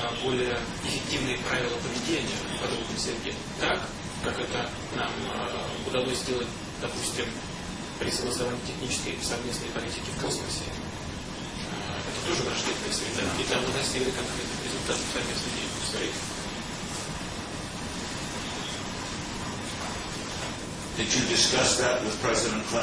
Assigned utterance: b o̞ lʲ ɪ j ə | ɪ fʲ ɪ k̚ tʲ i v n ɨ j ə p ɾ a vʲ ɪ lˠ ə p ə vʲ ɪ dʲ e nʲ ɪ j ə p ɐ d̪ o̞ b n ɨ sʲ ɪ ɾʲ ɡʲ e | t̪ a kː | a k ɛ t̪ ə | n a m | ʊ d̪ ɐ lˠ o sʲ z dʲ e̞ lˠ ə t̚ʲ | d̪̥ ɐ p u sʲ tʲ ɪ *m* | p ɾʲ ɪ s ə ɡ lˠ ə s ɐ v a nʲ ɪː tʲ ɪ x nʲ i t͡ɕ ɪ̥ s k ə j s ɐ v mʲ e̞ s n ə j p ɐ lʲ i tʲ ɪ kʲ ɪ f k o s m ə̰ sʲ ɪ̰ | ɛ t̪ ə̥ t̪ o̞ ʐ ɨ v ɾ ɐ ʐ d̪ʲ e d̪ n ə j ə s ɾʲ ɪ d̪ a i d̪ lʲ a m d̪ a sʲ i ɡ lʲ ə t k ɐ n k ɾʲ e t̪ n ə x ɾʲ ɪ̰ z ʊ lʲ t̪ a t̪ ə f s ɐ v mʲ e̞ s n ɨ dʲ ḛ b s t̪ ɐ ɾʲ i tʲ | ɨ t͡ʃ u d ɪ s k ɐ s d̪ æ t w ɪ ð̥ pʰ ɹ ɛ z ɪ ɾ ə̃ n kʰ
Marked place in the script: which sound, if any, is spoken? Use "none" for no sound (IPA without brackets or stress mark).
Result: m